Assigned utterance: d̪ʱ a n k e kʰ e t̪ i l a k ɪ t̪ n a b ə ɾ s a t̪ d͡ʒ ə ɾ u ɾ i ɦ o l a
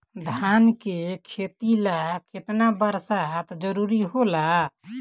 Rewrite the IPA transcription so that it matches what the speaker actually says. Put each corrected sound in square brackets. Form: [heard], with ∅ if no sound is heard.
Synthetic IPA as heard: d̪ʱ a n k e kʰ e t̪ i l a k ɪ t̪ n a b ə ɾ s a t̪ d͡ʒ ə ɾ u ɾ i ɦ o l a